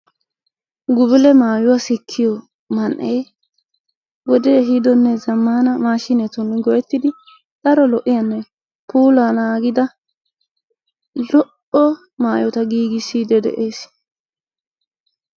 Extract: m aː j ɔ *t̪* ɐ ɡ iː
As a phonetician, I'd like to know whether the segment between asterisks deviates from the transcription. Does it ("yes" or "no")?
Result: no